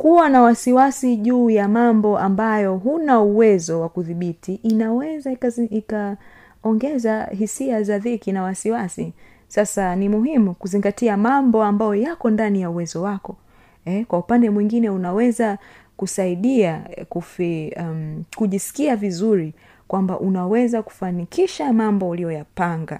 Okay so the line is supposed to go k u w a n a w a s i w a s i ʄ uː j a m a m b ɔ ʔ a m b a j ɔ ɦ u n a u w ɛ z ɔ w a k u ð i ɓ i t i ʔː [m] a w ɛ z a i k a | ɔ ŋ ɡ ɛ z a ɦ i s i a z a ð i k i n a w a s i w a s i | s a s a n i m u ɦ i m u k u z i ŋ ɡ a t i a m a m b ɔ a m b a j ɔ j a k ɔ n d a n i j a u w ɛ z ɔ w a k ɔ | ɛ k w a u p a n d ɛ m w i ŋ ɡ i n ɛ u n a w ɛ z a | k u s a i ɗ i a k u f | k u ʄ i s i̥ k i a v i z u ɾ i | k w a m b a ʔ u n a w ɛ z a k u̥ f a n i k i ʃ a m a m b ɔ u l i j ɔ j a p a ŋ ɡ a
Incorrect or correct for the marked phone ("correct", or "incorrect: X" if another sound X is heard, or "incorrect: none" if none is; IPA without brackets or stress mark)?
incorrect: n